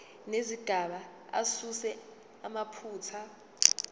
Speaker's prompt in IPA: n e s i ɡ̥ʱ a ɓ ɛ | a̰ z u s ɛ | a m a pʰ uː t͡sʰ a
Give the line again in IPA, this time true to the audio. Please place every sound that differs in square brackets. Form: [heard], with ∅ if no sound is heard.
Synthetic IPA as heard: n e [z] i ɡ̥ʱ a ɓ [a] | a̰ [s] u s ɛ | a m a pʰ uː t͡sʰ a